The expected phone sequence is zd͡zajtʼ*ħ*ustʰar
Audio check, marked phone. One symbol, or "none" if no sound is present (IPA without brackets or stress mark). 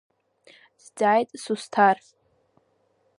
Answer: s